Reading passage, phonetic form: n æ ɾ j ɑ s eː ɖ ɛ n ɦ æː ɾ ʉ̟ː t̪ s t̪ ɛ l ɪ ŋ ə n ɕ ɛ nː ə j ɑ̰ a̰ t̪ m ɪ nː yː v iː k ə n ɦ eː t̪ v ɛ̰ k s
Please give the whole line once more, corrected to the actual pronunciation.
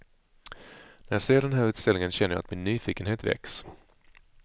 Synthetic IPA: n æ ɾ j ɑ s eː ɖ ɛ n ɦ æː ɾ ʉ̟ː t̪ s t̪ ɛ l ɪ ŋ ə n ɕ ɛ nː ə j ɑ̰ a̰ t̪ m ɪ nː yː f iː k ə n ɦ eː t̪ v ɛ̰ k s

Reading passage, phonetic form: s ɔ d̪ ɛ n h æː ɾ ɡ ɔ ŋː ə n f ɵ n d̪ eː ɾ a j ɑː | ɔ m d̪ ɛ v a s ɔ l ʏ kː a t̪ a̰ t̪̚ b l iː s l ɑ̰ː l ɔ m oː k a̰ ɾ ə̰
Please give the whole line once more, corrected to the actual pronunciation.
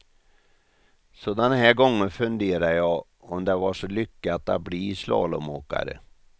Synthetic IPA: s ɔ d̪ ɛ n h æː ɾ ɡ ɔ ŋː ə n f ɵ n d̪ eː ɾ a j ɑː | ɔ m d̪ ɛ v a ʂ ɔ l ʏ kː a t̪ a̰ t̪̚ b l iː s l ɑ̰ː l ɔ m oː k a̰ ɾ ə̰

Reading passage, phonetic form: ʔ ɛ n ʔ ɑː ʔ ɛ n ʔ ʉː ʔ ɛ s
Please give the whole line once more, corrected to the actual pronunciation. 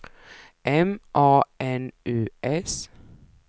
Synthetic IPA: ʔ ɛ m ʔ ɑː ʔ ɛ n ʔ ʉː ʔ ɛ s

